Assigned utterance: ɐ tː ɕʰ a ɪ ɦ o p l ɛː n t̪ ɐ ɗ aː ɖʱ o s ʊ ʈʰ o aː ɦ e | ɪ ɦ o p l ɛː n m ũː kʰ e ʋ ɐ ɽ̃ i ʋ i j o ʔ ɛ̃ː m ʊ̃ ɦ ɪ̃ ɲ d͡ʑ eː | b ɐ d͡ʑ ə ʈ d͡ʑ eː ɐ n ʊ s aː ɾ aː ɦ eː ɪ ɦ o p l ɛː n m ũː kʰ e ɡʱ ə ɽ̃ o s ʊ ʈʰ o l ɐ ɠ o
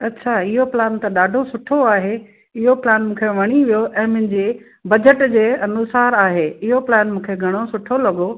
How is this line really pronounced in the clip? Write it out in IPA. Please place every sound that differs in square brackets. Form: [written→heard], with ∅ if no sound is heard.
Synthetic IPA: ɐ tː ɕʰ a ɪ ɦ o p l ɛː n t̪ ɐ ɗ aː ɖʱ o s ʊ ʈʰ o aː ɦ e | ɪ ɦ o p l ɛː n m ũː kʰ e ʋ ɐ ɽ̃ i ʋ i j o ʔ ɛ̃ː m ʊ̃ ɦ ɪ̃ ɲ d͡ʑ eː | b ɐ d͡ʑ ə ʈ d͡ʑ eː ɐ n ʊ s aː ɾ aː ɦ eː ɪ ɦ o p l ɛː n m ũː kʰ e ɡʱ [ə→ɐ] ɽ̃ o s ʊ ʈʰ o l ɐ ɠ o